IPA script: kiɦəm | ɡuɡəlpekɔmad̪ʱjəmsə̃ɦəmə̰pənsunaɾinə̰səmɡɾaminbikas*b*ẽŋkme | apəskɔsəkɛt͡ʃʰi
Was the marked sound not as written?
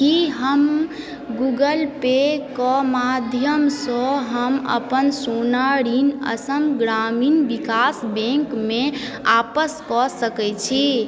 no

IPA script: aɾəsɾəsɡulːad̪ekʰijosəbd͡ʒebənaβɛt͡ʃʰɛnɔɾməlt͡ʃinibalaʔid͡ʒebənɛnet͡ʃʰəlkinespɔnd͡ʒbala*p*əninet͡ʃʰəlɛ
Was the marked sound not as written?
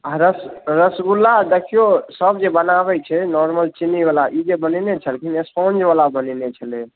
yes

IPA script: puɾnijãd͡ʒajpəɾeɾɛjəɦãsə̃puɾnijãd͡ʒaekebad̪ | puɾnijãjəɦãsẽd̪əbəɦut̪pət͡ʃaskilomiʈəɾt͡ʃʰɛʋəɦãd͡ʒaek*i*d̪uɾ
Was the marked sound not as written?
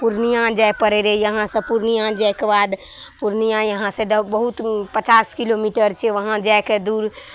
yes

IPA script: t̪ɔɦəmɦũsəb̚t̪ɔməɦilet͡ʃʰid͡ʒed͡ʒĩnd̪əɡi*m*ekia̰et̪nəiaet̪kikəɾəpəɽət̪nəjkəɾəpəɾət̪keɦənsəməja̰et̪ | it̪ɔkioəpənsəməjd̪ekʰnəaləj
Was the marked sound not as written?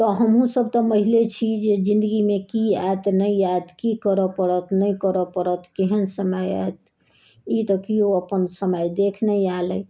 no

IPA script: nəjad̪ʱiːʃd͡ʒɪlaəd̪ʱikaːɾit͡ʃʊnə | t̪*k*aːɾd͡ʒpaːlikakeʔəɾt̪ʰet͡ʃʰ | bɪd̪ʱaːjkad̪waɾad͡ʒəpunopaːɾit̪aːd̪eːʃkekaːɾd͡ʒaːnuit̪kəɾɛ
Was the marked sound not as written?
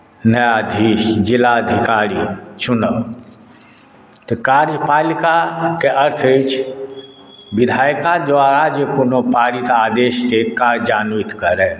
no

